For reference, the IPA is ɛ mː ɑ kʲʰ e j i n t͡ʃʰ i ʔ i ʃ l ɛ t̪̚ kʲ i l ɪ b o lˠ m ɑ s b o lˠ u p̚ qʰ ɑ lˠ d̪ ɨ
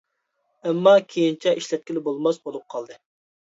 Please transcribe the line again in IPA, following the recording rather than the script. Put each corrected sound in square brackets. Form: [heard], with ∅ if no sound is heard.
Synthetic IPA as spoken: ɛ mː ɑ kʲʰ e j i n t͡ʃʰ [ɛ] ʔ i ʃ l ɛ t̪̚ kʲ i l ɪ b o lˠ m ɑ s b o lˠ u p̚ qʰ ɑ lˠ d̪ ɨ